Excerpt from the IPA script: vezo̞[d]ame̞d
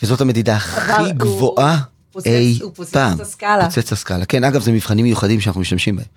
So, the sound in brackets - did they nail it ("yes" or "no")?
no